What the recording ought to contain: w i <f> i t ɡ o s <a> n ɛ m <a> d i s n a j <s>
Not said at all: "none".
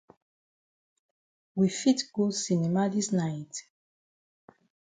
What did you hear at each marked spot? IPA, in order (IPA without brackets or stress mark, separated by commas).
f, i, a, t